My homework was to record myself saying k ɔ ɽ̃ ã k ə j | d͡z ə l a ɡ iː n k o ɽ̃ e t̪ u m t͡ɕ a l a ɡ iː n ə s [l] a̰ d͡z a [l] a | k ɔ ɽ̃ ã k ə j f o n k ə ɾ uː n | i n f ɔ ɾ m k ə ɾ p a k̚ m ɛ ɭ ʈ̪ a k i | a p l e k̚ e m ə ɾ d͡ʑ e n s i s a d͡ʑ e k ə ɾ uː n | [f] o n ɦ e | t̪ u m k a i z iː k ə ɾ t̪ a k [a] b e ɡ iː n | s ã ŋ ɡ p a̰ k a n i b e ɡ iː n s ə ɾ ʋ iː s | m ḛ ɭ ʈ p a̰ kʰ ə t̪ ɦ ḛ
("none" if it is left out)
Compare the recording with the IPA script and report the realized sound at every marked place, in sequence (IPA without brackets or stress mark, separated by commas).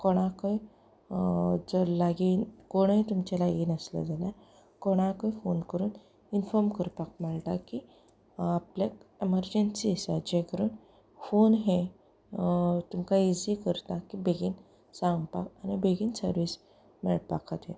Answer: l, l, f, i